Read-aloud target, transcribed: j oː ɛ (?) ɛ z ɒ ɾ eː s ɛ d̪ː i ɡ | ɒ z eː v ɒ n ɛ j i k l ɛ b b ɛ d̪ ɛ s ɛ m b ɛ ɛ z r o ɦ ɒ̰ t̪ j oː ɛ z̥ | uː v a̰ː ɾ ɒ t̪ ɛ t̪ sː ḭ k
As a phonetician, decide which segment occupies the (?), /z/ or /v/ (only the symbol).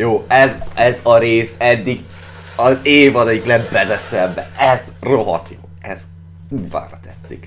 z